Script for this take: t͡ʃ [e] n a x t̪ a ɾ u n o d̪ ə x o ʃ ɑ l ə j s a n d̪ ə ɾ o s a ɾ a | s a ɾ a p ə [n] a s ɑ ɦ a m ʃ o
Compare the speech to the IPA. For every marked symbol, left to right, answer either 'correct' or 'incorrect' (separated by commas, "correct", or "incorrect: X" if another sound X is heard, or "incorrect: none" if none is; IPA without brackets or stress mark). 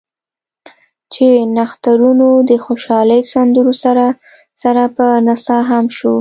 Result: correct, correct